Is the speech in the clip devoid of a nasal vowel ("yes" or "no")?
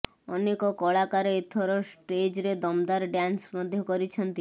yes